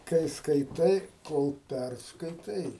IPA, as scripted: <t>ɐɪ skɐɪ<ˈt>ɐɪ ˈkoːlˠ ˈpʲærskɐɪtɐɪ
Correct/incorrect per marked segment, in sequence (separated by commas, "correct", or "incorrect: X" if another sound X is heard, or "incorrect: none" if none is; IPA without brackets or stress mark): incorrect: k, correct